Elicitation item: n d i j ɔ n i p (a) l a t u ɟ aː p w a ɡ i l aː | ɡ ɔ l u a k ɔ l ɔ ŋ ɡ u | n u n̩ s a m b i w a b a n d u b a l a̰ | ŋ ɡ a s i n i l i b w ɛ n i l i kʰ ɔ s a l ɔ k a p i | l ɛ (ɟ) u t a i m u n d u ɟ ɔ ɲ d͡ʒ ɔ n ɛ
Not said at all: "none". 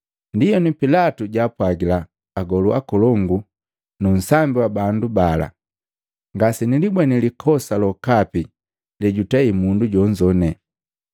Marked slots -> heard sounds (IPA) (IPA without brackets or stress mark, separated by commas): i, ɟ